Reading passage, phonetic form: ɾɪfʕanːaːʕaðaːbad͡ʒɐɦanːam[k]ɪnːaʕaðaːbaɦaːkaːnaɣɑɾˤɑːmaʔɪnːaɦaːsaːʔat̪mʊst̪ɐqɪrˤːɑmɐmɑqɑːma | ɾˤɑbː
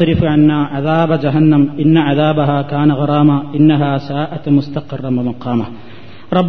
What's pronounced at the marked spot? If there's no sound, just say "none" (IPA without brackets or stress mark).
ʔ